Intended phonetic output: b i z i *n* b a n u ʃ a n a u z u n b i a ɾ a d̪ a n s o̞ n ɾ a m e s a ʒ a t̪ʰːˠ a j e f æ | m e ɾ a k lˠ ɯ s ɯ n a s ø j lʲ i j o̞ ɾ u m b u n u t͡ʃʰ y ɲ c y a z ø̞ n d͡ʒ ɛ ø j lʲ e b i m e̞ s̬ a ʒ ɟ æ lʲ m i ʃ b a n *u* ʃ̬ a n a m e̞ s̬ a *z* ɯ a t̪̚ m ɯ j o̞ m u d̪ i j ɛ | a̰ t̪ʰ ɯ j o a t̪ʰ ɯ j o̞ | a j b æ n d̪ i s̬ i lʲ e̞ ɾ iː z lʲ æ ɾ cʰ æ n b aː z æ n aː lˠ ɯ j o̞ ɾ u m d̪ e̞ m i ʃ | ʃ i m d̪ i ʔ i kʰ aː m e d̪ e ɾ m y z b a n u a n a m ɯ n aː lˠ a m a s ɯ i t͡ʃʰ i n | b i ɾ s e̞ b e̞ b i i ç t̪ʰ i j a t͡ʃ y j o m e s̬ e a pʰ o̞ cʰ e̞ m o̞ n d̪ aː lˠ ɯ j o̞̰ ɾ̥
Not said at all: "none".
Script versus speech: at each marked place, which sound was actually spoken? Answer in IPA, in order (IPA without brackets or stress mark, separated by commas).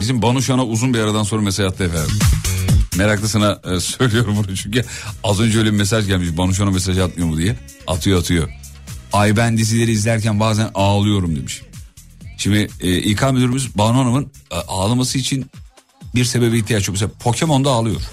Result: m, u, ʒ